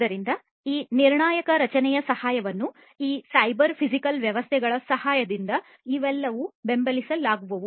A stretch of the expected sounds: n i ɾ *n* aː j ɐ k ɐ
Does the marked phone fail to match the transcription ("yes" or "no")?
yes